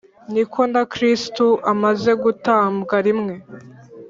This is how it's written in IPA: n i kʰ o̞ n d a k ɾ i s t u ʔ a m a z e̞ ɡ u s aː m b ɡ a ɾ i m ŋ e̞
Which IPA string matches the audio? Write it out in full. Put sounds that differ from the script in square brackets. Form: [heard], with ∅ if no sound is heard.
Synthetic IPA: n i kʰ o̞ n d a k ɾ i s t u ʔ a m a z e̞ ɡ u [t] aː m b ɡ a ɾ i m ŋ e̞